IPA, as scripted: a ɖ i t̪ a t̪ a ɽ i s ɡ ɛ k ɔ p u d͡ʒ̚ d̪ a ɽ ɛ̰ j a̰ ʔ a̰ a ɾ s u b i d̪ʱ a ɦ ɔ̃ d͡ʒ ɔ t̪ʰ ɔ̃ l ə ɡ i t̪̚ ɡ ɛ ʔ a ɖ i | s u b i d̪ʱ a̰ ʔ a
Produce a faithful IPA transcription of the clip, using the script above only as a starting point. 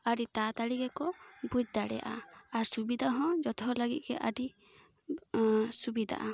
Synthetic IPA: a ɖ i t̪ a t̪ a ɽ i ɡ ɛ k ɔ b u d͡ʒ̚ d̪ a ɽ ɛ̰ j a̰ ʔ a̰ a ɾ s u b i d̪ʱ a ɦ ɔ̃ d͡ʒ ɔ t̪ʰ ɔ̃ l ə ɡ i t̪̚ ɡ ɛ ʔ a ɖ i | s u b i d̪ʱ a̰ ʔ a